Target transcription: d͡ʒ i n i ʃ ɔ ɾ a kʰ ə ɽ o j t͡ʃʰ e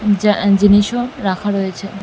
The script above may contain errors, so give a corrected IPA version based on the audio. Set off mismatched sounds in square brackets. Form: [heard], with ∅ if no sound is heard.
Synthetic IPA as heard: d͡ʒ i n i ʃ [o] ɾ a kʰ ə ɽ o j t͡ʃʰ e

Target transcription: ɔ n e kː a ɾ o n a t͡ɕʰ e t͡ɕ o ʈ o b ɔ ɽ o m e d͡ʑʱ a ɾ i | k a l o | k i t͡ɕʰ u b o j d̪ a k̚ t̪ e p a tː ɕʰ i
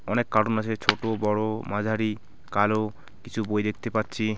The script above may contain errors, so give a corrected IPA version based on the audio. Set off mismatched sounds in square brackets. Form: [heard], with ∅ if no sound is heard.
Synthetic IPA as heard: ɔ n e kː a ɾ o n a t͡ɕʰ e [t͡ɕʰ] o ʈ o b ɔ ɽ o m [a] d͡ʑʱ a ɾ i | k a l o | k i t͡ɕʰ u b o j d̪ [e] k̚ t̪ e p a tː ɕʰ i

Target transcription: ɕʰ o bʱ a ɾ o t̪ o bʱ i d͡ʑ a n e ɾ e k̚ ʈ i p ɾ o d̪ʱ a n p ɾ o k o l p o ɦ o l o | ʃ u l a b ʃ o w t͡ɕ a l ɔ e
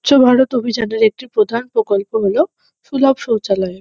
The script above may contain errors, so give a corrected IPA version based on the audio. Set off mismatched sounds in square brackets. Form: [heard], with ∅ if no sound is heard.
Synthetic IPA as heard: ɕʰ o bʱ a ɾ o t̪ o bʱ i d͡ʑ a n e ɾ e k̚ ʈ i p ɾ o d̪ʱ a n p ɾ o k o l p o ɦ o l o | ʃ u l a b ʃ o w t͡ɕ a l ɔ e

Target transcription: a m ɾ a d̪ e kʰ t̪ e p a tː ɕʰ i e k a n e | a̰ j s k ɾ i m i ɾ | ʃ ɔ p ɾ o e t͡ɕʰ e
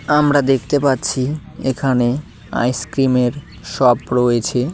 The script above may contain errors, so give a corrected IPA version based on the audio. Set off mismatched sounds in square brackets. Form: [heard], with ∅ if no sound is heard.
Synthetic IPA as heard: a m ɾ a d̪ e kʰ t̪ e p a tː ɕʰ i e [kʰ] a n e | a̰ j s k ɾ i m [e] ɾ | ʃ ɔ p ɾ o e t͡ɕʰ e

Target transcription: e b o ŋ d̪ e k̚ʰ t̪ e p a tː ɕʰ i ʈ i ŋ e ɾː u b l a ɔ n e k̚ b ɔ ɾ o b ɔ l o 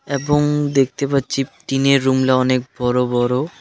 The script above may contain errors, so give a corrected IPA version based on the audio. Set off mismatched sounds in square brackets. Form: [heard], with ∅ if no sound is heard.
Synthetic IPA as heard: e b o ŋ d̪ e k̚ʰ t̪ e p a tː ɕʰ i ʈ i [n] e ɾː u [m] l a ɔ n e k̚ b ɔ ɾ o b ɔ [ɾ] o

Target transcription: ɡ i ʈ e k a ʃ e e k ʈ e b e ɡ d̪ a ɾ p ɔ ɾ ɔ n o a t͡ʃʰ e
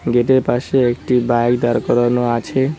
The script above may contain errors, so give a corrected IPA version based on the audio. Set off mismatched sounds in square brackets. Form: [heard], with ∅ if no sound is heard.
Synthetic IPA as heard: ɡ [e] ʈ e [p] a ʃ e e k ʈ [i] b [a] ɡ d̪ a ɾ [k] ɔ ɾ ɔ n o a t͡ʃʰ e

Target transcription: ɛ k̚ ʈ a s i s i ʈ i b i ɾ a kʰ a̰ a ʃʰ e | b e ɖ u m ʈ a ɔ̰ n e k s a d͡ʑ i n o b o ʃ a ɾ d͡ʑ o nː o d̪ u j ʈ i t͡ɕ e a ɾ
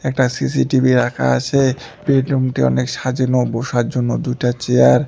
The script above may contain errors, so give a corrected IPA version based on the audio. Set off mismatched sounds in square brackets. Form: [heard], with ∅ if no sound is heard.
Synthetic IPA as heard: ɛ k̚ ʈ a s i s i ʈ i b i ɾ a kʰ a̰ a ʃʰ e | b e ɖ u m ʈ [i] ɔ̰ n e k [ʃ] a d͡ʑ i n o b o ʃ a ɾ d͡ʑ o nː o d̪ u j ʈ [a] t͡ɕ e a ɾ

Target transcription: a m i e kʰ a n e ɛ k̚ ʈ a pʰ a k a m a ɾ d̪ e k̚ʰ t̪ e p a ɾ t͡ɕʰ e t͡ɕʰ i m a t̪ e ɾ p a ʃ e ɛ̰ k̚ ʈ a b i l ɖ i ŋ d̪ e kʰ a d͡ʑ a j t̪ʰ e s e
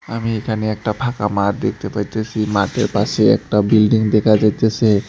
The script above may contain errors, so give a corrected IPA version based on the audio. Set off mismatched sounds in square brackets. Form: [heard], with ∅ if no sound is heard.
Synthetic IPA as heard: a m i e kʰ a n e ɛ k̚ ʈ a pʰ a k a m a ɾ d̪ e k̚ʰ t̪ e p a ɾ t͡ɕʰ e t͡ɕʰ i m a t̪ e ɾ p a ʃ e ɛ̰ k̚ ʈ a b i l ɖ i ŋ d̪ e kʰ a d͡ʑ a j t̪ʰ e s e

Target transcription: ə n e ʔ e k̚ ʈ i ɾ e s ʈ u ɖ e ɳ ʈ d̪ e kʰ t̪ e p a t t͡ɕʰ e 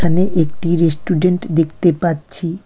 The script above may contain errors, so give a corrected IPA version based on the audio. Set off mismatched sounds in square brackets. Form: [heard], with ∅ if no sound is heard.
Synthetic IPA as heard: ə n e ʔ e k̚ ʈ i ɾ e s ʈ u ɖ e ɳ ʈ d̪ e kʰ t̪ e p a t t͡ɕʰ [i]

